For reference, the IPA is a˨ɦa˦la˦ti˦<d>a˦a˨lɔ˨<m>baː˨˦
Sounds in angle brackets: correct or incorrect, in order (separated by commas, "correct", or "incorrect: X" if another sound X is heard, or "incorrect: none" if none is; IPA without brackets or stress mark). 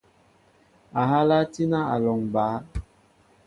incorrect: n, incorrect: ŋ